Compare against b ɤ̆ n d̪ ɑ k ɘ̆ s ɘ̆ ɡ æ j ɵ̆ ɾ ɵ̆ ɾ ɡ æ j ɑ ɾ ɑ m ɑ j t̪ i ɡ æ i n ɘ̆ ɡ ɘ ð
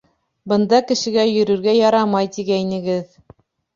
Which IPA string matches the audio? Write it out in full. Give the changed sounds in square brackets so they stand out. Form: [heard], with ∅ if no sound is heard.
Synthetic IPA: b ɤ̆ n d̪ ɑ k ɘ̆ [ʃ] ɘ̆ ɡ æ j ɵ̆ ɾ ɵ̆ ɾ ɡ æ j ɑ ɾ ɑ m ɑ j t̪ i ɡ æ i n ɘ̆ ɡ ɘ ð